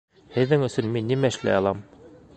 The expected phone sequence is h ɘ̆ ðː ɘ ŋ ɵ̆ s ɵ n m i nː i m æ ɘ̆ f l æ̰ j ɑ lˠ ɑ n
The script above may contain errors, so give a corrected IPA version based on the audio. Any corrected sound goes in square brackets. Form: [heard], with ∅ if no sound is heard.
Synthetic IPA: h ɘ̆ ðː ɘ ŋ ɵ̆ s ɵ n m i nː i m æ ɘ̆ [ʃ] l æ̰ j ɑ lˠ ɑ [m]